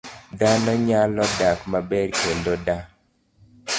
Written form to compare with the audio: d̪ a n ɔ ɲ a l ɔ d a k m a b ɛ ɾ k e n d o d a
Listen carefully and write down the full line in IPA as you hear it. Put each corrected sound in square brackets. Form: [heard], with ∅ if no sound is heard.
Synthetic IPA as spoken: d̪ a n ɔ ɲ a l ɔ d a k m a b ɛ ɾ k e n d o d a